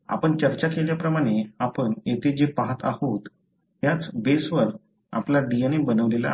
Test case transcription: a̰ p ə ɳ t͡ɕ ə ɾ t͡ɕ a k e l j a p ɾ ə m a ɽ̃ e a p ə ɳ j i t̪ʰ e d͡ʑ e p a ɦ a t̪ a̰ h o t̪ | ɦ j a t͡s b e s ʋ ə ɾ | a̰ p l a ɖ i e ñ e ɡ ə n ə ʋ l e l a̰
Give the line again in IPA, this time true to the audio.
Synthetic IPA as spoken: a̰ p ə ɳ t͡ɕ ə ɾ t͡ɕ a k e l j a p ɾ ə m a ɽ̃ e a p ə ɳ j e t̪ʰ e d͡ʑ e p a ɦ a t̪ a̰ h o t̪ | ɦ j a t͡s b e s ʋ ə ɾ | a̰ p l a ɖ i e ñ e b ə n ə ʋ l e l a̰